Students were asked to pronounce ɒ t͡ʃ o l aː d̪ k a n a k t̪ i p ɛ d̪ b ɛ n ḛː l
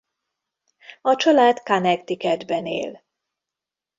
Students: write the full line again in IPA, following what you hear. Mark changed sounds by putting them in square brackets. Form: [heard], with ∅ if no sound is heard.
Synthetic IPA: ɒ t͡ʃ [ɒ] l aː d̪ k a n [ɛ] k t̪ i [k] ɛ d̪ b ɛ n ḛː l